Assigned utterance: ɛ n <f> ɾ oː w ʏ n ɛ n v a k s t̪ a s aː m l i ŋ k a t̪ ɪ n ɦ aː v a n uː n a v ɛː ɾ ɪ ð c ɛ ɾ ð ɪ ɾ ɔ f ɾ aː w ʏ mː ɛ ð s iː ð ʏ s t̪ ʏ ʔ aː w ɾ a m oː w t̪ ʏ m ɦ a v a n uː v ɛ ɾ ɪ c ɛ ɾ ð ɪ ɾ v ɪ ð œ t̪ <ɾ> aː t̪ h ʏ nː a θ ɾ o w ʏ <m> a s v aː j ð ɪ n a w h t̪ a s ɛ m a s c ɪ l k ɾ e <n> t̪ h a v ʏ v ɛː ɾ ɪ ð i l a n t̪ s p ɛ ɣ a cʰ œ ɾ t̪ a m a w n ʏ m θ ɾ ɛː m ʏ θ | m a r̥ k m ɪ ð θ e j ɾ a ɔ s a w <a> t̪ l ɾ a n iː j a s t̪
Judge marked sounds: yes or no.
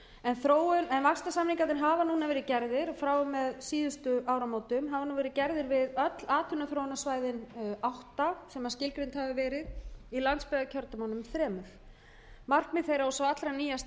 no, no, no, yes, yes

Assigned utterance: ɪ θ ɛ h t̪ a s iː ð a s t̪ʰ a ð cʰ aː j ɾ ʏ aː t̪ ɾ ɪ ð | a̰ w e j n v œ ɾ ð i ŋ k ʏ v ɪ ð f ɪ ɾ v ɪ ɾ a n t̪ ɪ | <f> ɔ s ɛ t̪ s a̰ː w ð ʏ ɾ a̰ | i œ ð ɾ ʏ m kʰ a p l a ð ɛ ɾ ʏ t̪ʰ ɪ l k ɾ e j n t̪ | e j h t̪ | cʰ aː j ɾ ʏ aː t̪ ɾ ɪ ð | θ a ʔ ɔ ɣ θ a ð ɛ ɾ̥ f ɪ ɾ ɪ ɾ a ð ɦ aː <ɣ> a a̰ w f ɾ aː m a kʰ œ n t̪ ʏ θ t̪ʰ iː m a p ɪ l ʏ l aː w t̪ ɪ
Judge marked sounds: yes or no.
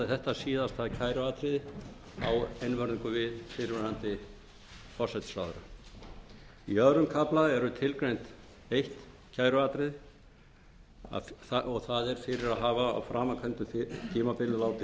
yes, no

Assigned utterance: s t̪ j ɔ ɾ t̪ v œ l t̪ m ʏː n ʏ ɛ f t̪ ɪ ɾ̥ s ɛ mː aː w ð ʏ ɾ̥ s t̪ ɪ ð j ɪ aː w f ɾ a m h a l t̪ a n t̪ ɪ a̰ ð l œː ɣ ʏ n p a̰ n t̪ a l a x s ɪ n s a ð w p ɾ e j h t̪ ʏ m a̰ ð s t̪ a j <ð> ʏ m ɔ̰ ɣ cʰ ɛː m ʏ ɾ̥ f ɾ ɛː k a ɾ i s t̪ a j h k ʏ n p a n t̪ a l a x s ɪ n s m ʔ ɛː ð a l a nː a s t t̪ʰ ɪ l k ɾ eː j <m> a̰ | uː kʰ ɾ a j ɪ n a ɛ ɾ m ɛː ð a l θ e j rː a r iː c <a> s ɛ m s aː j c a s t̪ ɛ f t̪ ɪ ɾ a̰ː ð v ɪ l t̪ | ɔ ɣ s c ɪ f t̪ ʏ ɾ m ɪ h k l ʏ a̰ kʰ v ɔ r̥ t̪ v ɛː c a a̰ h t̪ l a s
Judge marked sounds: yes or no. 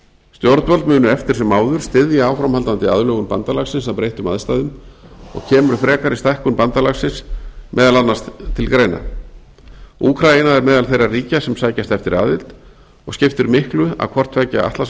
yes, no, yes

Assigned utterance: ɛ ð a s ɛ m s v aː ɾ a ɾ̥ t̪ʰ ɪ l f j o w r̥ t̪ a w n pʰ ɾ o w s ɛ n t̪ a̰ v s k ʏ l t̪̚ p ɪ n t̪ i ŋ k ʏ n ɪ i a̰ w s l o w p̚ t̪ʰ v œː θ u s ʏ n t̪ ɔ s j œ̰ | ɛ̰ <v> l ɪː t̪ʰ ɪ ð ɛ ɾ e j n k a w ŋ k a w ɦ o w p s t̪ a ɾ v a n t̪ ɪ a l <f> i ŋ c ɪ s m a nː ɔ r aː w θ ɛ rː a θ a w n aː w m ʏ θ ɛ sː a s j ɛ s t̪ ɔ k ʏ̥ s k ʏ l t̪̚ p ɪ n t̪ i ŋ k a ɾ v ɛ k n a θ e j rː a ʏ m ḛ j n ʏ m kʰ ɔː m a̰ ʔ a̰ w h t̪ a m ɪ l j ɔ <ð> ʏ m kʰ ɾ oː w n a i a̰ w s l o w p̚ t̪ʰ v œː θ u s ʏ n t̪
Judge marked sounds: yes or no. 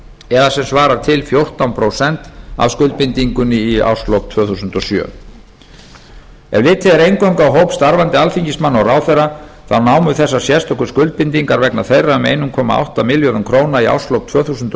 yes, yes, yes

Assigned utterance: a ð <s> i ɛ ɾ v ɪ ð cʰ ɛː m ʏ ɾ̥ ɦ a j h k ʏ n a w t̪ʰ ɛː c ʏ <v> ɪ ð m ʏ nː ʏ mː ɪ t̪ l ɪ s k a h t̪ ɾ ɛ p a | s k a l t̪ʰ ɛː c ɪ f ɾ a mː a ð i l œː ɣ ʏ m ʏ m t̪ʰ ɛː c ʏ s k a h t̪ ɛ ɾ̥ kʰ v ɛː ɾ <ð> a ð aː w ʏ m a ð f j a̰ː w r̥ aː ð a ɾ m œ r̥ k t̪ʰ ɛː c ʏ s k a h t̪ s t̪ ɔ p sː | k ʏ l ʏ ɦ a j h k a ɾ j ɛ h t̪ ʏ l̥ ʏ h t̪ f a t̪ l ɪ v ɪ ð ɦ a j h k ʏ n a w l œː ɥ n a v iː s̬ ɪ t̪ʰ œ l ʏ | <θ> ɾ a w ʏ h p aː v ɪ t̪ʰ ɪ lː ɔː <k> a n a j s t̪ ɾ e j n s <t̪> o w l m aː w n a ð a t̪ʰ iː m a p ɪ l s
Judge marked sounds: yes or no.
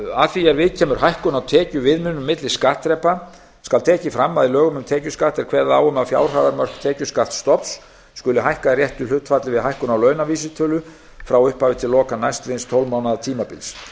no, yes, yes, no, yes, no

